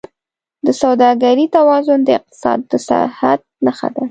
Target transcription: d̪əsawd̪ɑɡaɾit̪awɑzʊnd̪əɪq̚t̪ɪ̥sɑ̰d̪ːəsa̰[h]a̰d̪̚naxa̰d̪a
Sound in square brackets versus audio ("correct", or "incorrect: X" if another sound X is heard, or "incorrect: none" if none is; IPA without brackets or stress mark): correct